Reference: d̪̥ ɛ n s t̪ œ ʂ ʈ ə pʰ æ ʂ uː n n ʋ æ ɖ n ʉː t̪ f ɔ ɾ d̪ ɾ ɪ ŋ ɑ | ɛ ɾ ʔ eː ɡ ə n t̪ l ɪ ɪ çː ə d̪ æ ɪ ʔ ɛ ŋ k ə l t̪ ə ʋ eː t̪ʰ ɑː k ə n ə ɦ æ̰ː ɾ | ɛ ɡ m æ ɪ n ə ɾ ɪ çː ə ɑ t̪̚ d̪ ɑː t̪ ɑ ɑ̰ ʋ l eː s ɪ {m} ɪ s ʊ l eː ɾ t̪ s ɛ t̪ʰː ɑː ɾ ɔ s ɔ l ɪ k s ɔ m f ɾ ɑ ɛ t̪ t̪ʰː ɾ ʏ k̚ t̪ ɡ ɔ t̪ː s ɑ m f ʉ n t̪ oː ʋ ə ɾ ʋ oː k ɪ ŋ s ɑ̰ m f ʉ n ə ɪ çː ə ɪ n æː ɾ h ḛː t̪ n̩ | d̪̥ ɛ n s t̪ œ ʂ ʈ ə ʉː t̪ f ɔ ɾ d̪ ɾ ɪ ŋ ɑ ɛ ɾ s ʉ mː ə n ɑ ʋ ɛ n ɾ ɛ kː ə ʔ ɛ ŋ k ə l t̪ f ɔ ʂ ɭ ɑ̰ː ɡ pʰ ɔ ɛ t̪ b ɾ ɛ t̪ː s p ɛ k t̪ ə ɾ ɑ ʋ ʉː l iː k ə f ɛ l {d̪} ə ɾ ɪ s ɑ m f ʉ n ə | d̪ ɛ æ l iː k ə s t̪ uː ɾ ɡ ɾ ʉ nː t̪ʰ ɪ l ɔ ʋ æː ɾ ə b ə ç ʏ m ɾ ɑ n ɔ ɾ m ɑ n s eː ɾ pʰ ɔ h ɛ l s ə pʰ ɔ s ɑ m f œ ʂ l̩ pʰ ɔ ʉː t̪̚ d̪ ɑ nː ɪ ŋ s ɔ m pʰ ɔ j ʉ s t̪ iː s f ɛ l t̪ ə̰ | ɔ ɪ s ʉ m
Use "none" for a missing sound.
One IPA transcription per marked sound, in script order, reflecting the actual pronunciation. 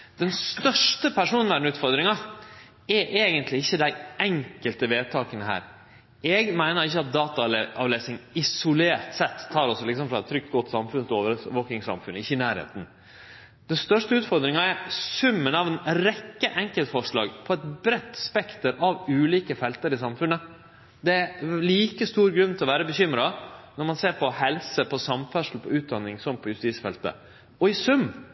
ŋ, t̪

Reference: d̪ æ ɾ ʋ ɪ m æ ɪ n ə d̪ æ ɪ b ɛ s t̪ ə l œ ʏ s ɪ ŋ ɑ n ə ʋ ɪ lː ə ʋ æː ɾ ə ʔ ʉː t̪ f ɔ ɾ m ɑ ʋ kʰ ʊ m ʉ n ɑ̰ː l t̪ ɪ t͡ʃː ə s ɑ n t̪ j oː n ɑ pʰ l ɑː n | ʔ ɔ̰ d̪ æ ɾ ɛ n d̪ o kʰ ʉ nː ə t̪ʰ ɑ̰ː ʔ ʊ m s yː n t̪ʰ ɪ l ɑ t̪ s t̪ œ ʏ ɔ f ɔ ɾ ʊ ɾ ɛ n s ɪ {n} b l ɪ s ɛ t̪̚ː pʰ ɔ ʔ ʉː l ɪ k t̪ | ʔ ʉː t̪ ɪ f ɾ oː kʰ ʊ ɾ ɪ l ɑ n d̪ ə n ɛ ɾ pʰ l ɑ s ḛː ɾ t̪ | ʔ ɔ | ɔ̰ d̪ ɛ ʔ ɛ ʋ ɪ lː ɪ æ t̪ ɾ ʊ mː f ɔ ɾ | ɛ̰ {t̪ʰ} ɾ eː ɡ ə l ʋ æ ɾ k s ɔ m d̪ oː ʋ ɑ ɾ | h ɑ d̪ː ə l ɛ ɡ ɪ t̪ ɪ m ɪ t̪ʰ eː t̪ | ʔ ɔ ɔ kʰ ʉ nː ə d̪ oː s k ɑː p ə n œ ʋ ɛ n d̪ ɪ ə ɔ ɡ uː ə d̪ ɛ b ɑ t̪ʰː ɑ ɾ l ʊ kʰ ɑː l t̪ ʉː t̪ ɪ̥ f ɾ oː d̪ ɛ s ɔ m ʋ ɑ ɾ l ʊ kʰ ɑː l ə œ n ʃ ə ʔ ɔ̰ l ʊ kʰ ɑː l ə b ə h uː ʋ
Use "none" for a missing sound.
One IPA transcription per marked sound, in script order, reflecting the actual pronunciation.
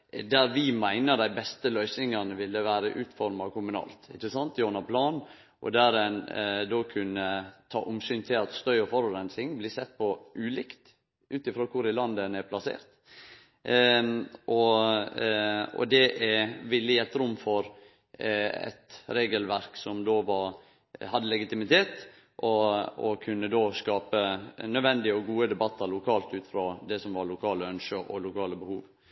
ŋ, t̪

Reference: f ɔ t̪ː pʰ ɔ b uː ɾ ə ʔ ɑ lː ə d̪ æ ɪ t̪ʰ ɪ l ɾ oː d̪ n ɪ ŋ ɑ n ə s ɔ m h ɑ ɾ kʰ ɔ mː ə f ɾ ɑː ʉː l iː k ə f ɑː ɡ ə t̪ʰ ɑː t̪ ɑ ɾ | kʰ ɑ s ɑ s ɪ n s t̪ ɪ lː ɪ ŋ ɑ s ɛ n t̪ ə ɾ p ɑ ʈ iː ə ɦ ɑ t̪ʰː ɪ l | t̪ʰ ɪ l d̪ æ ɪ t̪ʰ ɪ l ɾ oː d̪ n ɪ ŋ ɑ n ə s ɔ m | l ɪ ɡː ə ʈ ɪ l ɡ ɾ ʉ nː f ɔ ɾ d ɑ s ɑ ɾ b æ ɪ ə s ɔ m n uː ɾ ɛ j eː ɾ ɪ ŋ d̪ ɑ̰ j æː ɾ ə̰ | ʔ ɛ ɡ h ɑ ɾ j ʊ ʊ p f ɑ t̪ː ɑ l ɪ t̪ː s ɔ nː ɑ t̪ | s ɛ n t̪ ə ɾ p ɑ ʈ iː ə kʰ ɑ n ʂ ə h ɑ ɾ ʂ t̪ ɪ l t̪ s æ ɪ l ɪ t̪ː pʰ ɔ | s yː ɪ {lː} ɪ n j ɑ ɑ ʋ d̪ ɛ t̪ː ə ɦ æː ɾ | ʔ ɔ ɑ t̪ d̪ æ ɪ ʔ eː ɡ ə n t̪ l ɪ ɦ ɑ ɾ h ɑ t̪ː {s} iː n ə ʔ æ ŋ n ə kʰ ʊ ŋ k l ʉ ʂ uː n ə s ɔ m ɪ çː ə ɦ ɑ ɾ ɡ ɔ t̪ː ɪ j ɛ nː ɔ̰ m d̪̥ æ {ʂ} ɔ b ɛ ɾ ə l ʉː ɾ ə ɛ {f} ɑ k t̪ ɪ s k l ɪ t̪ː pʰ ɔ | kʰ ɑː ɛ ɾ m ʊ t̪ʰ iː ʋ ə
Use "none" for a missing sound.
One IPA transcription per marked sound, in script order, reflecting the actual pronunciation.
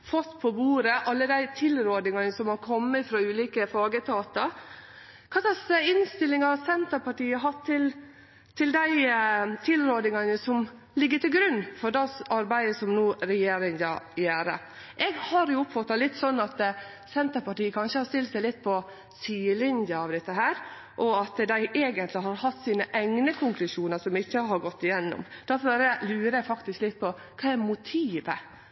l, s, f, f

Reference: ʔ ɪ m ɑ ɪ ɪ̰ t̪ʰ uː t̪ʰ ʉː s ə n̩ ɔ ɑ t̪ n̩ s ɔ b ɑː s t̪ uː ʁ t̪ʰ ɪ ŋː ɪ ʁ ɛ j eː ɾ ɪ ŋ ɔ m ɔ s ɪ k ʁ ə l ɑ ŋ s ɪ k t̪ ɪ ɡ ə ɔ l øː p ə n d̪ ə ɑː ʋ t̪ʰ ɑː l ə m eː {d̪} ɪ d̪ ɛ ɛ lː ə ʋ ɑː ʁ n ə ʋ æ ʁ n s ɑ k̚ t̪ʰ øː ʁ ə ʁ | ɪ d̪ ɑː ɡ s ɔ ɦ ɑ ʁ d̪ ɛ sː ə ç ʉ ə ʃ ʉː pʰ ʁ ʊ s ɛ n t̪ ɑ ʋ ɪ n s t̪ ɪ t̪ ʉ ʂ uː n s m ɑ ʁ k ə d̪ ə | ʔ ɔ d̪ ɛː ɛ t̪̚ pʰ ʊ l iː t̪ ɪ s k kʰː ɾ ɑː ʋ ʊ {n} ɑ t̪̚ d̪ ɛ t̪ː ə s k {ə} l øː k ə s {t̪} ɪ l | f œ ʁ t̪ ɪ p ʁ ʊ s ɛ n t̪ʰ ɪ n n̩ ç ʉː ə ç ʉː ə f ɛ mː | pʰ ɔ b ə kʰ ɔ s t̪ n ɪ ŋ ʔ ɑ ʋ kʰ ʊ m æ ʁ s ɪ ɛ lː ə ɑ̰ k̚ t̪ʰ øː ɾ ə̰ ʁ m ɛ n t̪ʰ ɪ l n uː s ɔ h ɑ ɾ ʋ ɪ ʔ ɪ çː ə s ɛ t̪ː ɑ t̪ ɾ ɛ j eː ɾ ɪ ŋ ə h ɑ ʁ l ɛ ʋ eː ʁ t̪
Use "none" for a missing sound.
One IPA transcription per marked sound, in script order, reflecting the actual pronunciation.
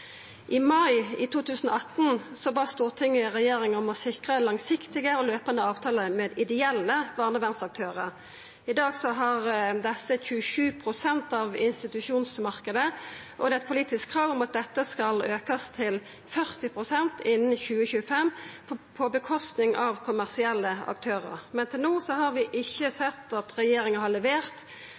d̪, m, ɑ, t̪ʰ

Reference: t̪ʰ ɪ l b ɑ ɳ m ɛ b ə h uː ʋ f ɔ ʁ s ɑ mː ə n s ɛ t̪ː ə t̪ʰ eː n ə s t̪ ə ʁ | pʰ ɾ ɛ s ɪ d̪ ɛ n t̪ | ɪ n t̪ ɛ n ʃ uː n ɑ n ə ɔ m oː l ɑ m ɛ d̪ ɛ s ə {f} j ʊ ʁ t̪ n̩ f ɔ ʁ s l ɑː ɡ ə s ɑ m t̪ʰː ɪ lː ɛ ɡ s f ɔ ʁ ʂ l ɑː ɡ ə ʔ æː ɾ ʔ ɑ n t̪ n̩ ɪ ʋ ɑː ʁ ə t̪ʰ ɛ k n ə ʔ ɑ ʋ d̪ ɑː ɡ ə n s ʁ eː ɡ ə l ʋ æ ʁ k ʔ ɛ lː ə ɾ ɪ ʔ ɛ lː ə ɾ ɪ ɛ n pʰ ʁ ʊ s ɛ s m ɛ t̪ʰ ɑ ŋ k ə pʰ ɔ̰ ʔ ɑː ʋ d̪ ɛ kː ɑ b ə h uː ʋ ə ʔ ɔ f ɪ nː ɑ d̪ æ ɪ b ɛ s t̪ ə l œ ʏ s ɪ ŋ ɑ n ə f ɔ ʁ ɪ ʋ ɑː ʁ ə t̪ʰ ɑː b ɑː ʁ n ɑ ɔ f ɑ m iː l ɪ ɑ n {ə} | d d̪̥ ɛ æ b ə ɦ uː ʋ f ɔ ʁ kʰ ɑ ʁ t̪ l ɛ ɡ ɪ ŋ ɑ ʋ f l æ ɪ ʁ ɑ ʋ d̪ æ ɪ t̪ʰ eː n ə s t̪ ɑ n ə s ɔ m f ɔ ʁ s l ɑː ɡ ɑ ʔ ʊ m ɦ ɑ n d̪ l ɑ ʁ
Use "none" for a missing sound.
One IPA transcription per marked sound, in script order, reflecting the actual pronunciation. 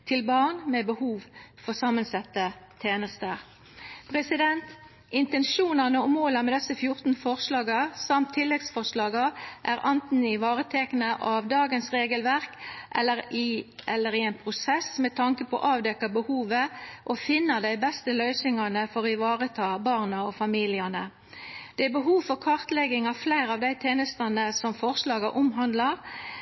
f, ə

